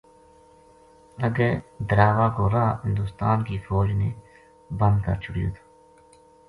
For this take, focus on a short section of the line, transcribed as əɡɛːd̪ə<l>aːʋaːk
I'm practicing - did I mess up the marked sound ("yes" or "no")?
yes